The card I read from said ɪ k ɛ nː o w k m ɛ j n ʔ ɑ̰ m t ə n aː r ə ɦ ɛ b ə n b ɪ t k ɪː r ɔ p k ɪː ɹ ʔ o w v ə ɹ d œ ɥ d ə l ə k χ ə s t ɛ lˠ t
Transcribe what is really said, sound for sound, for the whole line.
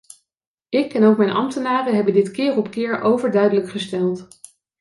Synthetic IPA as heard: ɪ k ɛ n o w k m ɛ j n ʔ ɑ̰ m t ə n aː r ə ɦ ɛ b ə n d ɪ t k ɪː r ɔ p k ɪː ɹ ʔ o w v ə ɹ d œ ɥ d ə l ə k χ ə s t ɛ lˠ t